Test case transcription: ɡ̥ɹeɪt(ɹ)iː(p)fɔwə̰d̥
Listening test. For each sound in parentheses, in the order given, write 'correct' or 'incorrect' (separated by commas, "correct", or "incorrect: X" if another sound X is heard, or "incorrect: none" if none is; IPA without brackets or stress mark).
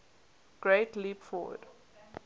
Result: incorrect: l, correct